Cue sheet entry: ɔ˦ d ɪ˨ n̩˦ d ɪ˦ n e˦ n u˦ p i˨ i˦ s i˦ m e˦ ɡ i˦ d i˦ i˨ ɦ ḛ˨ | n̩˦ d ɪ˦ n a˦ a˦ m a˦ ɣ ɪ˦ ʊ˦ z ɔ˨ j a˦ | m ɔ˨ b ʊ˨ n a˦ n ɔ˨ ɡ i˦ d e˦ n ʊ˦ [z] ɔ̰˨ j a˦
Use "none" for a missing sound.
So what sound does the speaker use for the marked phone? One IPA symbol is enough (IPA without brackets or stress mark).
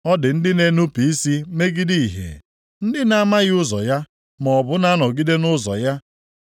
z